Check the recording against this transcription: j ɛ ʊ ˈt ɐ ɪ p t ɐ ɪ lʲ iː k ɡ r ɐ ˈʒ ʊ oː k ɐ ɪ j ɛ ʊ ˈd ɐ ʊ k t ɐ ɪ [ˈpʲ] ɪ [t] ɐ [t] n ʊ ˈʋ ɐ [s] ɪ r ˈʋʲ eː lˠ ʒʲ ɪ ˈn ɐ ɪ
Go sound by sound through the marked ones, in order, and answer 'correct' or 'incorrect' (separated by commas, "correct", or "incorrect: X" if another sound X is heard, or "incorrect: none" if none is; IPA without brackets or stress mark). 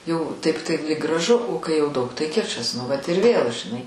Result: incorrect: kʲ, incorrect: t͡ʃ, incorrect: s, incorrect: t